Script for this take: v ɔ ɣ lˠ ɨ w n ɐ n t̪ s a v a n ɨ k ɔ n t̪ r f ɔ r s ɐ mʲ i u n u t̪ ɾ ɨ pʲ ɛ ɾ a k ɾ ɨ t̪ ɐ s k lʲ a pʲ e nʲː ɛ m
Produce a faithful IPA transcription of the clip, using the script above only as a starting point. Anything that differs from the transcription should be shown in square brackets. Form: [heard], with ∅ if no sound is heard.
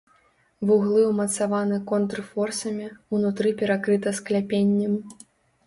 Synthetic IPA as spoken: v [u] ɣ lˠ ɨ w [m] ɐ [∅] t̪ s a v a n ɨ k ɔ n t̪ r f ɔ r s ɐ mʲ i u n u t̪ ɾ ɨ pʲ ɛ ɾ a k ɾ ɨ t̪ ɐ s k lʲ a pʲ e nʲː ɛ m